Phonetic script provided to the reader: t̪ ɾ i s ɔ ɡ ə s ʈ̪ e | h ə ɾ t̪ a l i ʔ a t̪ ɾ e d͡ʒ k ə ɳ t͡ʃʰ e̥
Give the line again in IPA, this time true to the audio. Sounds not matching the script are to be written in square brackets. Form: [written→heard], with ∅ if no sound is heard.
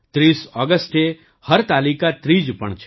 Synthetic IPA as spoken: t̪ ɾ i s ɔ ɡ ə s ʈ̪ e | h ə ɾ t̪ a l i [ʔ→k] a t̪ ɾ [e→i] d͡ʒ [k→p] ə ɳ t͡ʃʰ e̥